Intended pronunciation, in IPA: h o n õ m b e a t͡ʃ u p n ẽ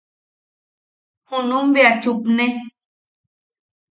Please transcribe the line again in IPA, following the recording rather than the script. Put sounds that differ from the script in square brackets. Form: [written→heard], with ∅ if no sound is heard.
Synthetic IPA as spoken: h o n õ m b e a t͡ʃ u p n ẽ